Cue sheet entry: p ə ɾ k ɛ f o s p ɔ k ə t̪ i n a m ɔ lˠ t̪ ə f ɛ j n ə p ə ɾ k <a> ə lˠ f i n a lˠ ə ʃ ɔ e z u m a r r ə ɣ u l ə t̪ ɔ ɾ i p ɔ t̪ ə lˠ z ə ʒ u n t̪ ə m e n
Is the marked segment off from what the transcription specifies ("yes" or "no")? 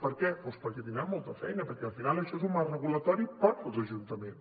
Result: yes